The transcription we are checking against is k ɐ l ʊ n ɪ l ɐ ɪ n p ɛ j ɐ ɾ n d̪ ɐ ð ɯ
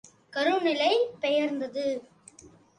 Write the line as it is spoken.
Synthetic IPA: k ɐ ɾ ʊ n ɪ l ɐ ɪ p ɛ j ɐ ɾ n d̪ ɐ ð ɯ